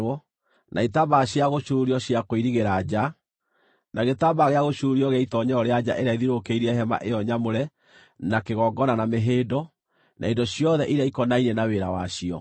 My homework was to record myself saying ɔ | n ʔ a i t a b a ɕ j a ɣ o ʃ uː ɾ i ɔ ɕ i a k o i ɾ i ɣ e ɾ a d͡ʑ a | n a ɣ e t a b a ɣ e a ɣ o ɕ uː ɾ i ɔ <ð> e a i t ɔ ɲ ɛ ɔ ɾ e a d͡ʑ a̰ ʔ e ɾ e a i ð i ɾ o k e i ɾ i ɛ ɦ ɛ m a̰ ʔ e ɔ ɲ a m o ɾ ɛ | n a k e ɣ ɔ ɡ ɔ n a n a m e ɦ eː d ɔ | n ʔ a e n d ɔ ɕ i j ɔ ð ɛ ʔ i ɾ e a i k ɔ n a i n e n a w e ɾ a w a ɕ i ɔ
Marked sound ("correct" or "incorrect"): incorrect